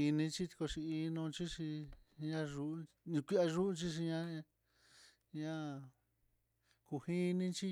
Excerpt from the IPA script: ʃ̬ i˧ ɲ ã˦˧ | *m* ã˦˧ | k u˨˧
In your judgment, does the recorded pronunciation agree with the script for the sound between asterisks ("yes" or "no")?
no